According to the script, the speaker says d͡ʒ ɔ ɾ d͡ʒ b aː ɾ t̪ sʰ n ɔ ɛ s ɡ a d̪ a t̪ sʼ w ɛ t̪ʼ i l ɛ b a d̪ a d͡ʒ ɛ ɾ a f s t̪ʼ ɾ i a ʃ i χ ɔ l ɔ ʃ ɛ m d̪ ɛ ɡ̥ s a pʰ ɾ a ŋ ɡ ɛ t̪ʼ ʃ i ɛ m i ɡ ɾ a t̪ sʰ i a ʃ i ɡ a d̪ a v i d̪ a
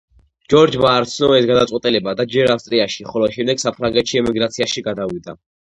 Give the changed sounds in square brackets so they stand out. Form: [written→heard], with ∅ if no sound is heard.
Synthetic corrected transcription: d͡ʒ ɔ ɾ d͡ʒ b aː ɾ t̪ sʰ n ɔ ɛ s ɡ a d̪ a t̪ sʼ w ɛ t̪ʼ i l ɛ b a d̪ a d͡ʒ ɛ ɾ a f s t̪ʼ ɾ i a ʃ i χ ɔ l ɔ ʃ ɛ m d̪ ɛ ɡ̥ s a pʰ ɾ a ŋ ɡ ɛ [t̪ʼ→t̪] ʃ i ɛ m i ɡ ɾ a t̪ sʰ i a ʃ i ɡ a d̪ a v i d̪ a

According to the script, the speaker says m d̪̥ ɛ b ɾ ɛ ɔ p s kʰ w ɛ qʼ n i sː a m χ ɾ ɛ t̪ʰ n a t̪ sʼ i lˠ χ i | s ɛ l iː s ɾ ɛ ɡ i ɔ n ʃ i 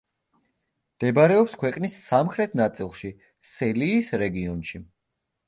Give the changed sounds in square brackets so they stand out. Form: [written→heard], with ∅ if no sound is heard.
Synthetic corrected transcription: m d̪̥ ɛ b ɾ ɛ ɔ p s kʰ w ɛ qʼ n i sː a m χ ɾ ɛ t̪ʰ n a t̪ sʼ i lˠ [χ→ʃ] i | s ɛ l iː s ɾ ɛ ɡ i ɔ n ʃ i

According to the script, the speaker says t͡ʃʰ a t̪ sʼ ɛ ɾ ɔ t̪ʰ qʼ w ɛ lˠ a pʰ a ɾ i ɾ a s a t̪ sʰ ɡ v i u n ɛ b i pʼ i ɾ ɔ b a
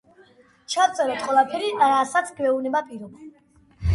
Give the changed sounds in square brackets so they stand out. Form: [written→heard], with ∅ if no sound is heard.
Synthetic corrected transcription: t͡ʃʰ a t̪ sʼ ɛ ɾ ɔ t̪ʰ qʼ w ɛ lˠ a pʰ [a→ɛ] ɾ i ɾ a s a t̪ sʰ ɡ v [i→ɛ] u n ɛ b [i→a] pʼ i ɾ ɔ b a

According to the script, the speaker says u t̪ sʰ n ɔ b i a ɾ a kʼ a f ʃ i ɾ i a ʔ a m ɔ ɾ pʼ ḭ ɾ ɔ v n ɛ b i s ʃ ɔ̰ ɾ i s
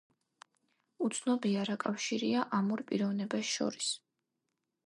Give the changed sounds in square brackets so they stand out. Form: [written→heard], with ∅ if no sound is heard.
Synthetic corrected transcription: u t̪ sʰ n ɔ b i a ɾ a kʼ a f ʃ i ɾ i a ʔ a m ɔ ɾ pʼ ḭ ɾ ɔ v n ɛ b [i→a] s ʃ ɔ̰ ɾ i s

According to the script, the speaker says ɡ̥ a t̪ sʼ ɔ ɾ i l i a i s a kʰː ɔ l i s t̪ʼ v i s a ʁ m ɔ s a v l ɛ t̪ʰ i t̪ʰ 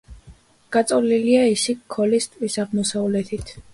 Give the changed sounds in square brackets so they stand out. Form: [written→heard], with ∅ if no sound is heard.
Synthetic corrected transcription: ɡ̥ a t̪ sʼ ɔ [ɾ→l] i l i a i s [a→i] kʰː ɔ l i s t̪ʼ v i s a ʁ m ɔ s a v l ɛ t̪ʰ i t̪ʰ

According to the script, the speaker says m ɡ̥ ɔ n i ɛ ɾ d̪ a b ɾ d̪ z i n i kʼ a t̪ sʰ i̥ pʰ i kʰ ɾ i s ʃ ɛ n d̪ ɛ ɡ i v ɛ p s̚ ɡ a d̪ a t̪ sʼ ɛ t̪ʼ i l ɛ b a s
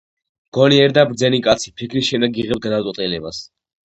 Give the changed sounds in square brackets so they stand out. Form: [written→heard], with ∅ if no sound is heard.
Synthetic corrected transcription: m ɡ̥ ɔ n i ɛ ɾ d̪ a b ɾ d̪ z [i→ɛ] n i kʼ a t̪ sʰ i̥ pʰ i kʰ ɾ i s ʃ ɛ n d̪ ɛ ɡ i [v→ʁ] ɛ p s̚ ɡ a d̪ a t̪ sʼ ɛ t̪ʼ i l ɛ b a s

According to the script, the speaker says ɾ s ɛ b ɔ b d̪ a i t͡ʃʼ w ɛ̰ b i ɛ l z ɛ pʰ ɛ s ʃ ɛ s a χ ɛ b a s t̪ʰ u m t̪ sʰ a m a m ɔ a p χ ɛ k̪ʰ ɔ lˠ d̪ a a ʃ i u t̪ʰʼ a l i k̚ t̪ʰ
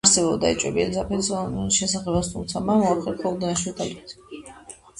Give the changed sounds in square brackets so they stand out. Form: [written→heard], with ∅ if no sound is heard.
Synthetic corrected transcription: ɾ s ɛ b ɔ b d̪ a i t͡ʃʼ w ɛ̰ b i ɛ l z [ɛ→a] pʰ ɛ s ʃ ɛ s a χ ɛ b a s t̪ʰ u m t̪ sʰ a m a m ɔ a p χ ɛ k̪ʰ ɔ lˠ d̪ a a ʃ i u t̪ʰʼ a l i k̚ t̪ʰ

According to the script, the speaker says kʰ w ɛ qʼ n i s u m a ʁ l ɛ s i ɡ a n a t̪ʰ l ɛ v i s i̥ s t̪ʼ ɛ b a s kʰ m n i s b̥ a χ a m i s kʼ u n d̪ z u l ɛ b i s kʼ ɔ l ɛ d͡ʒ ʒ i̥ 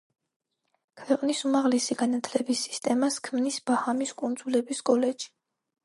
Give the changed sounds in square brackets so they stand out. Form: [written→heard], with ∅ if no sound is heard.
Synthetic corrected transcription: kʰ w ɛ qʼ n i s u m a ʁ l ɛ s i ɡ a n a t̪ʰ l ɛ [v→b] i s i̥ s t̪ʼ ɛ [b→m] a s kʰ m n i s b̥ a [χ→h] a m i s kʼ u n d̪ z u l ɛ b i s kʼ ɔ l ɛ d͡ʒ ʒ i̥

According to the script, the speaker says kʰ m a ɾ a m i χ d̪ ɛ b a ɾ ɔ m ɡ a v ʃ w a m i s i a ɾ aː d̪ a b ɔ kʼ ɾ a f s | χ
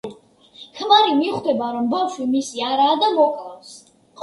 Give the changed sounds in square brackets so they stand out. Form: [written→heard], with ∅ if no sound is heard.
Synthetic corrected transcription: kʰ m a ɾ [a→i] m i χ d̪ ɛ b a ɾ ɔ m [ɡ→b] a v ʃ w [a→i] m i s i a ɾ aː d̪ a [b→m] ɔ kʼ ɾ a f s | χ

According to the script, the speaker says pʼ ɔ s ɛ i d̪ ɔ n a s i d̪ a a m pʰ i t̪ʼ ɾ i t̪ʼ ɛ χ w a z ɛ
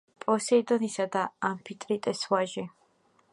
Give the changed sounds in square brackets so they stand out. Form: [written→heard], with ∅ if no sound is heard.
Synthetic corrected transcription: pʼ ɔ s ɛ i d̪ ɔ n [a→i] s [i→a] d̪ a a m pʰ i t̪ʼ ɾ i t̪ʼ ɛ [χ→s] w a [z→ʒ] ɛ

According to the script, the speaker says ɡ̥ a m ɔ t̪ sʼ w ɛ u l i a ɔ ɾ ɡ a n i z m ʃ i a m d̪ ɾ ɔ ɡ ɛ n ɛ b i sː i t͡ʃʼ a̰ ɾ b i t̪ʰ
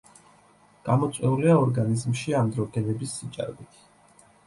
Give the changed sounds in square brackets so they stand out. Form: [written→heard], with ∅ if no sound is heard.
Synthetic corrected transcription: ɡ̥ a m ɔ t̪ sʼ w ɛ u l i a ɔ ɾ ɡ a n i z m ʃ i a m d̪ ɾ ɔ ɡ ɛ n ɛ b i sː i t͡ʃʼ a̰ ɾ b i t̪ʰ

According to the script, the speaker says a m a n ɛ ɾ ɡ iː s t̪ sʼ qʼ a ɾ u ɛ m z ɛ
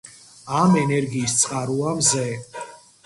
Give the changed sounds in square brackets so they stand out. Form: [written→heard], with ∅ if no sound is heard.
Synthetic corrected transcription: a m [a→ɛ] n ɛ ɾ ɡ iː s t̪ sʼ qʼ a ɾ u [ɛ→a] m z ɛ

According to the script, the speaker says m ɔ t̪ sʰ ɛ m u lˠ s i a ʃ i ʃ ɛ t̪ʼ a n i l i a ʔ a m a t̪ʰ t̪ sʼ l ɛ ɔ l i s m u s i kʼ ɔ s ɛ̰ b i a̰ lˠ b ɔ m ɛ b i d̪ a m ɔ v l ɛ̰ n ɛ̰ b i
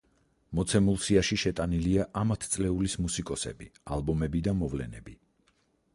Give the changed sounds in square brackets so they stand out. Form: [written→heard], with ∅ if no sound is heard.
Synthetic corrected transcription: m ɔ t̪ sʰ ɛ m u lˠ s i a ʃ i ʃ ɛ t̪ʼ a n i l i a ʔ a m a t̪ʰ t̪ sʼ l ɛ [ɔ→u] l i s m u s i kʼ ɔ s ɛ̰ b i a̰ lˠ b ɔ m ɛ b i d̪ a m ɔ v l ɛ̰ n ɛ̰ b i

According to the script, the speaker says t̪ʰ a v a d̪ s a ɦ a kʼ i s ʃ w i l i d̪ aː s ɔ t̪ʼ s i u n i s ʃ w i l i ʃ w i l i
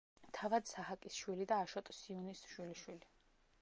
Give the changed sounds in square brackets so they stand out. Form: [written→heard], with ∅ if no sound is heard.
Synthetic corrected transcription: t̪ʰ a v a d̪ s a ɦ a kʼ i s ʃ w i l i d̪ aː [s→ʃ] ɔ t̪ʼ s i u n i s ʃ w i l i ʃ w i l i

